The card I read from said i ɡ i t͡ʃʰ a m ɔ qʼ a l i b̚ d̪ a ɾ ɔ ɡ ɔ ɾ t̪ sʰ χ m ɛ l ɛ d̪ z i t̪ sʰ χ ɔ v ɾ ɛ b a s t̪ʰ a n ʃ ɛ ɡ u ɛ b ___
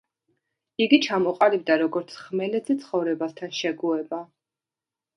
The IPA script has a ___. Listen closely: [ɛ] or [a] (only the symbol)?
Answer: a